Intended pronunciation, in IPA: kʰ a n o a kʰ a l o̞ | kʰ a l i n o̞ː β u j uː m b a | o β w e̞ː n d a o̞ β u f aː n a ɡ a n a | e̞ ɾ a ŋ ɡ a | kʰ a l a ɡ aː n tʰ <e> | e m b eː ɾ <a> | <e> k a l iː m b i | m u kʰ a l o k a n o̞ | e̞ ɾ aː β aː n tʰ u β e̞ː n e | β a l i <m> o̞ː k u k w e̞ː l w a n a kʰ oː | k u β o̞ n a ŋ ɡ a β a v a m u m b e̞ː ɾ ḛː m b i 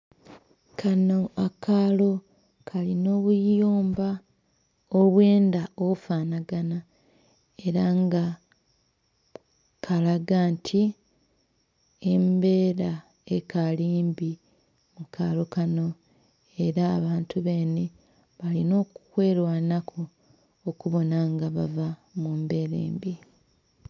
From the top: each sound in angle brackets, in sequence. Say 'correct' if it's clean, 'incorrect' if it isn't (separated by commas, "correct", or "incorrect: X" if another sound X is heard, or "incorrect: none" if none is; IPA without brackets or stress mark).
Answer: incorrect: i, correct, correct, incorrect: n